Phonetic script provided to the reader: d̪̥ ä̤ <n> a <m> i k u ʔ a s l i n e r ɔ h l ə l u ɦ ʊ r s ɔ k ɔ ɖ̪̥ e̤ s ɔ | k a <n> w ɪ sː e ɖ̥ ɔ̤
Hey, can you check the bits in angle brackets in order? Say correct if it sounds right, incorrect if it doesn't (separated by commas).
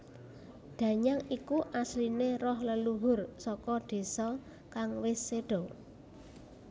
incorrect, incorrect, incorrect